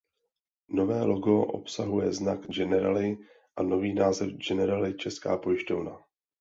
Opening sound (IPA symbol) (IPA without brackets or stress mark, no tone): n